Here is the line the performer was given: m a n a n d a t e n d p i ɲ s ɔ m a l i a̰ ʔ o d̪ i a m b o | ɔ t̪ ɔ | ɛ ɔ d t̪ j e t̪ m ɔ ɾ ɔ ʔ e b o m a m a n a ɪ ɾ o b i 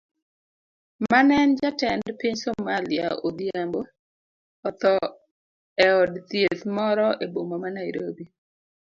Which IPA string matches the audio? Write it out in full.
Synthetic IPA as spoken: m a n ɛ n d͡ʒ a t ɛ n d p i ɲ s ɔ m a l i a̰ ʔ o d̪ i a m b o | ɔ t̪ ɔ | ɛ ɔ d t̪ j e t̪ m ɔ ɾ ɔ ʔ e b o m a m a n a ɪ ɾ o b i